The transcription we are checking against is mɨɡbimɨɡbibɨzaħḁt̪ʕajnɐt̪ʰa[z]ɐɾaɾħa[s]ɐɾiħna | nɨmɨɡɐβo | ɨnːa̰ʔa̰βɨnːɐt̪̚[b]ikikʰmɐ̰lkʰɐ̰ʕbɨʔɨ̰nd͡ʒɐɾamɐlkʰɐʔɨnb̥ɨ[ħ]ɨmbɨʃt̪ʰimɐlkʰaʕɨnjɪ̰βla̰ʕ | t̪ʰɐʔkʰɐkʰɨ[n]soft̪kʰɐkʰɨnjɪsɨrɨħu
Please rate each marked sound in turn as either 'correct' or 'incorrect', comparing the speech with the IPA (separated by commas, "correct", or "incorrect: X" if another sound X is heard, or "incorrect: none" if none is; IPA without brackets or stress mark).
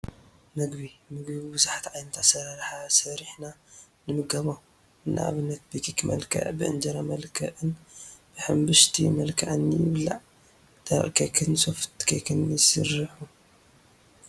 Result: incorrect: s, correct, correct, correct, correct